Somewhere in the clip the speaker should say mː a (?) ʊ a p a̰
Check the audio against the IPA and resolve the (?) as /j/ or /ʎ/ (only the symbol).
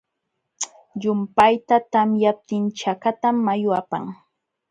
j